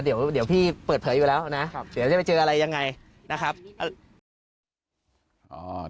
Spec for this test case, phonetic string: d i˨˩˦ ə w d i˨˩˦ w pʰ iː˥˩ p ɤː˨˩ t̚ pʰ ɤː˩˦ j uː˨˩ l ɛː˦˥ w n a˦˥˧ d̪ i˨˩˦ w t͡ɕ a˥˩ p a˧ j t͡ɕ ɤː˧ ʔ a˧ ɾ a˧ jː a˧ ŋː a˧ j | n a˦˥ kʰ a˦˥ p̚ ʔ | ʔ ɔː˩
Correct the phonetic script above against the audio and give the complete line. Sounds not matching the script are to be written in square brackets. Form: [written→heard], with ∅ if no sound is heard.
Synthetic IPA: d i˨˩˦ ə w d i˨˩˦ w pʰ iː˥˩ p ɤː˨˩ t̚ pʰ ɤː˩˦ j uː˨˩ l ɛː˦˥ w n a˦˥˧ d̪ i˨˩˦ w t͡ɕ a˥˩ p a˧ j t͡ɕ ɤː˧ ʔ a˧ ɾ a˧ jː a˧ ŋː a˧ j | n a˦˥ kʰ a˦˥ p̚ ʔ | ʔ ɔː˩